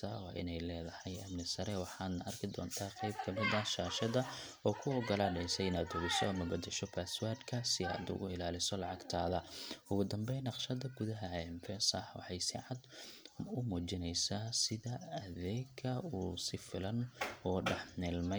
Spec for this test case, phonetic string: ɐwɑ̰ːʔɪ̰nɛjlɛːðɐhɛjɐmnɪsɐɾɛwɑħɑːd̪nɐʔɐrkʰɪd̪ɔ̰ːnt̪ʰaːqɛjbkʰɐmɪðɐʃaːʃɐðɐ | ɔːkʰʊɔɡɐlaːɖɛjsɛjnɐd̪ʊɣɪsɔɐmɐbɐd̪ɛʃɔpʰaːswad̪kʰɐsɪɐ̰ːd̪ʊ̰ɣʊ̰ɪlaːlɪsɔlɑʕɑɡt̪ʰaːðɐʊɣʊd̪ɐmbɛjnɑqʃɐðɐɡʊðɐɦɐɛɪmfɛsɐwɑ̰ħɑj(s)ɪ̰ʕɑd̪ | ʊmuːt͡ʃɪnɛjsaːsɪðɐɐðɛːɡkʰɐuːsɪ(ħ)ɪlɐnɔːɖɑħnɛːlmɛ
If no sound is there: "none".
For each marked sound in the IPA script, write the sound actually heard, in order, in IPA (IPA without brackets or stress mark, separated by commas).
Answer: s, f